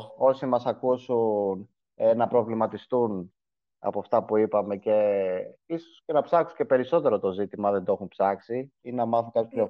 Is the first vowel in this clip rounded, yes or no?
yes